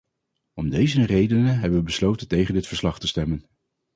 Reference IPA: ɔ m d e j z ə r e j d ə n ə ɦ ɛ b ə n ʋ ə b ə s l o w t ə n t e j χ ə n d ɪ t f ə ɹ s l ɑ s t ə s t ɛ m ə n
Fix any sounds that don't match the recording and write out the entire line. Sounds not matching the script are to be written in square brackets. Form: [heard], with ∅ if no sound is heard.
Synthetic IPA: ɔ m d e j z ə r e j d ə n ə ɦ ɛ b ə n ʋ ə b ə s l o w t ə n t e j χ ə n d ɪ t f ə ɹ s l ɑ [χ] t ə s t ɛ m ə n